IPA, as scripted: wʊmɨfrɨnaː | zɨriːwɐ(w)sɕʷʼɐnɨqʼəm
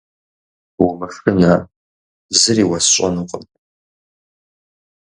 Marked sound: incorrect: none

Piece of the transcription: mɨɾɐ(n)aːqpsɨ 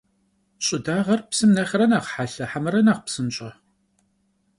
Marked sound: correct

